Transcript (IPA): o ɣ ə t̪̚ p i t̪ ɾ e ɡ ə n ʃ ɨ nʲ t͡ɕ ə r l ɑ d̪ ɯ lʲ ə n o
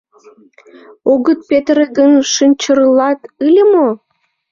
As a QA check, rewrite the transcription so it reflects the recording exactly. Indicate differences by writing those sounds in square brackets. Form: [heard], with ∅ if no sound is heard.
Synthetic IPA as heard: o ɣ ə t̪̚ p [e] t̪ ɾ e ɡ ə n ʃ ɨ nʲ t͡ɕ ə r l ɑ [t̪] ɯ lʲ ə [m] o